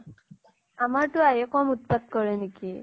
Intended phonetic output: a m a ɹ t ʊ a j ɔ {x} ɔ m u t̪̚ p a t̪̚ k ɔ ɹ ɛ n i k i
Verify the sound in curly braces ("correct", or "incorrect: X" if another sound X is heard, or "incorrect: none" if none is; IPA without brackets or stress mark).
incorrect: k